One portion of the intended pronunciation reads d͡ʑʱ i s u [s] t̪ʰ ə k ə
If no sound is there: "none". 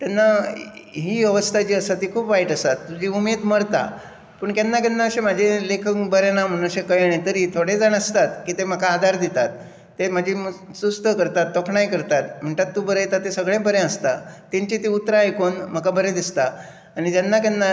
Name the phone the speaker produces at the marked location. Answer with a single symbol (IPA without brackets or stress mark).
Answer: s